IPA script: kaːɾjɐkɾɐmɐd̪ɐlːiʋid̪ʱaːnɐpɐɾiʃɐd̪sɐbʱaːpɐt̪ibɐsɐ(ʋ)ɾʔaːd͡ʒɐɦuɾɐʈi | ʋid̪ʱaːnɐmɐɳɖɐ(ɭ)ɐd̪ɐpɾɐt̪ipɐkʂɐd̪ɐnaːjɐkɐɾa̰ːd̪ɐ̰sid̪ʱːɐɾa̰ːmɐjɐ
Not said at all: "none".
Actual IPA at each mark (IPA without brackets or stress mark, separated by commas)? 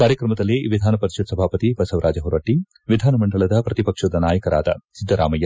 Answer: ʋ, ɭ